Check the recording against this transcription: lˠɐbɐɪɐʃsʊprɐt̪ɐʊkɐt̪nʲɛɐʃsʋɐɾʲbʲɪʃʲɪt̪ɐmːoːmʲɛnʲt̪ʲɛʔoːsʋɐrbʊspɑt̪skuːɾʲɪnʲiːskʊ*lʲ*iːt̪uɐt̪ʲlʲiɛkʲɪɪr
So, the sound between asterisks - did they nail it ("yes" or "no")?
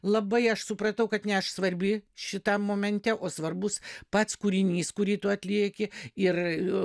no